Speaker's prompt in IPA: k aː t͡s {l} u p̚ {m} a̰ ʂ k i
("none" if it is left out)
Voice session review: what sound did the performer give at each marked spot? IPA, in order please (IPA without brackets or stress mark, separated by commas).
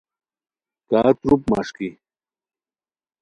ɾ, m